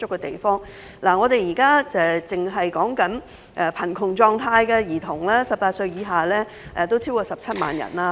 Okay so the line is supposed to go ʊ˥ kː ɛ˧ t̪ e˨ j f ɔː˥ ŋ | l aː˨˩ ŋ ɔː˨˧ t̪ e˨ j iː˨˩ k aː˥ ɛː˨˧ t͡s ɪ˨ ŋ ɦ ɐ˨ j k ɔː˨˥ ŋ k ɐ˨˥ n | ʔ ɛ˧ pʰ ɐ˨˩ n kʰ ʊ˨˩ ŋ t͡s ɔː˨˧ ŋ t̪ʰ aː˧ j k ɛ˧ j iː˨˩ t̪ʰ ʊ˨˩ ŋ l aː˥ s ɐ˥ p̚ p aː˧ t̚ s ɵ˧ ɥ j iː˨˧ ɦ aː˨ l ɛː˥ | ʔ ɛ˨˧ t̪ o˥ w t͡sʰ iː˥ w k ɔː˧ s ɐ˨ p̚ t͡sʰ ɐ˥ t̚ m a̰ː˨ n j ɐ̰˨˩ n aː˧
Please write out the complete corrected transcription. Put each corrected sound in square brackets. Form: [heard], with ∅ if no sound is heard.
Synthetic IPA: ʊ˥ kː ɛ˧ t̪ e˨ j f ɔː˥ ŋ | l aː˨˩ ŋ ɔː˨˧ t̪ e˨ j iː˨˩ k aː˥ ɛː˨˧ t͡s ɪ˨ ŋ ɦ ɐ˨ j k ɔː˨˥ ŋ k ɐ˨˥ n | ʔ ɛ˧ pʰ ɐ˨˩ n kʰ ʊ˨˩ ŋ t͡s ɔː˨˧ ŋ t̪ʰ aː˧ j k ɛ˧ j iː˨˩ t̪ʰ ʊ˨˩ ŋ l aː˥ s [ɐ˨] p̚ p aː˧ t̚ s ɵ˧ ɥ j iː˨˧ ɦ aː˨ l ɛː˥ | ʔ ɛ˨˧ t̪ o˥ w t͡sʰ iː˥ w k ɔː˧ s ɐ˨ p̚ t͡sʰ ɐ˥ t̚ m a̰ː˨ n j ɐ̰˨˩ n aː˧